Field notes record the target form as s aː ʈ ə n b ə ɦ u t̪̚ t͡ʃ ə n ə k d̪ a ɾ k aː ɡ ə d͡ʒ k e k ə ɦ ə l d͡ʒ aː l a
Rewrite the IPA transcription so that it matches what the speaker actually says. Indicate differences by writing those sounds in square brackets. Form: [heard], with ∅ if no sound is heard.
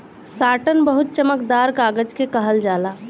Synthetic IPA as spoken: s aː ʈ ə n b ə ɦ u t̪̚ t͡ʃ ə [m] ə k d̪ a ɾ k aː ɡ ə d͡ʒ k e k ə ɦ ə l d͡ʒ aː l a